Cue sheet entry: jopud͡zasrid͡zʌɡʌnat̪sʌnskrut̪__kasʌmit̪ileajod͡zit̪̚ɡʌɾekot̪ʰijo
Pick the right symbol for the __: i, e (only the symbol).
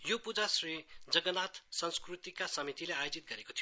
i